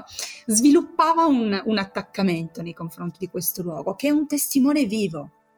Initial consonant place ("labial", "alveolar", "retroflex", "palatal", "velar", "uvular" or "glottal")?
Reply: alveolar